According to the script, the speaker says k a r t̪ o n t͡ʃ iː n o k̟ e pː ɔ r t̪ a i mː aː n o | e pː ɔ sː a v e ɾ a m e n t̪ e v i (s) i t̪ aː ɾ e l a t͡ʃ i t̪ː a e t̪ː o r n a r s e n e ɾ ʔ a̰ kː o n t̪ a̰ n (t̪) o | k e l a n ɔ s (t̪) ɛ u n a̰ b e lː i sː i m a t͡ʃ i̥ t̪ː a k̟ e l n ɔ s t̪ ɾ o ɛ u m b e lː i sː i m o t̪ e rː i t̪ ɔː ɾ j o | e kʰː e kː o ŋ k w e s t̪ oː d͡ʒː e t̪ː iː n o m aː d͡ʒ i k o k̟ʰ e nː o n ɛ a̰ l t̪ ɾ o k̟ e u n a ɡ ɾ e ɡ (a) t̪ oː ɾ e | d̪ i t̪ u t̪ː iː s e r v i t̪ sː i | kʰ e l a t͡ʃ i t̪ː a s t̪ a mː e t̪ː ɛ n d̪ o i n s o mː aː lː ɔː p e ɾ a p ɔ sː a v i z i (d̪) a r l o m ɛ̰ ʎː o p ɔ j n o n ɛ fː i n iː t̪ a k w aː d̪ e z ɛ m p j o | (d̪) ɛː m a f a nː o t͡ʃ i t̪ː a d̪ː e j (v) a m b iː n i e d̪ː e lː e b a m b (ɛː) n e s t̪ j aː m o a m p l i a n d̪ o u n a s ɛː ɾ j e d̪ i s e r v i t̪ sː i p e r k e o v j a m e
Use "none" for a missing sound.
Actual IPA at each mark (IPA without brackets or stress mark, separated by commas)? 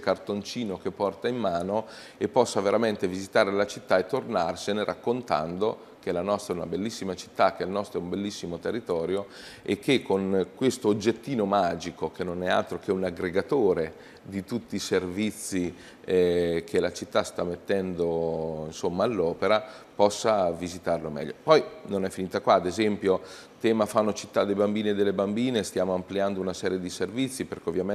z, d̪, t̪, a, t̪, t̪, b, iː